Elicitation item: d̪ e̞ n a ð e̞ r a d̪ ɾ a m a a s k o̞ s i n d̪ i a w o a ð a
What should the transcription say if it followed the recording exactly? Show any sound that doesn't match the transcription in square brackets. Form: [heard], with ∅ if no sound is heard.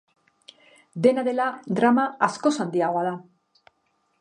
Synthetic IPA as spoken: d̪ e̞ n a ð e̞ [l] a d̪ ɾ a m a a s k o̞ s [a] n d̪ i a [ɣ] o a ð a